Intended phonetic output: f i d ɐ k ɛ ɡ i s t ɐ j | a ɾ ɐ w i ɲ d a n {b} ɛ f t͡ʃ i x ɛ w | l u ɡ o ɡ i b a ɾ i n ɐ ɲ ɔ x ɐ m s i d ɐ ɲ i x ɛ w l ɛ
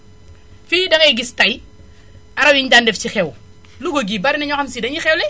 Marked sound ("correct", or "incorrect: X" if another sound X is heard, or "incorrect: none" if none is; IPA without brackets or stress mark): incorrect: d